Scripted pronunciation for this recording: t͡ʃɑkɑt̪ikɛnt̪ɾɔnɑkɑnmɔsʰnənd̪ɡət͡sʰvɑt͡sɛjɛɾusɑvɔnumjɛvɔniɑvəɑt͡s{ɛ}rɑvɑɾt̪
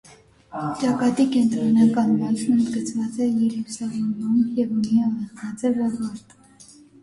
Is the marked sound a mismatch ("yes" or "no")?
no